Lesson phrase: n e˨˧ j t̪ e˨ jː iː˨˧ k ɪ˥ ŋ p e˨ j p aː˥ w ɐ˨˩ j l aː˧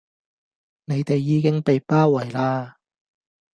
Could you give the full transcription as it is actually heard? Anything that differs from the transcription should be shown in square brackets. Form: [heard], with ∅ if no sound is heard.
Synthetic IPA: n e˨˧ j t̪ e˨ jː iː˨˧ k ɪ˥ ŋ p e˨ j p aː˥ w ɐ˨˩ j l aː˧